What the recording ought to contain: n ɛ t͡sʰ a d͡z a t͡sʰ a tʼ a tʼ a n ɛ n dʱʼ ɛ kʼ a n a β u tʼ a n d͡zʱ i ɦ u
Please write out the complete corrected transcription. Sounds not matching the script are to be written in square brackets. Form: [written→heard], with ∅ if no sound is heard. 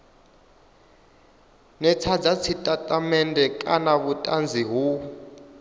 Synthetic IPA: n ɛ t͡sʰ a d͡z a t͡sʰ [a→i] tʼ a tʼ a [n→m] ɛ n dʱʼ ɛ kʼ a n a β u tʼ a n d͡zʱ i ɦ u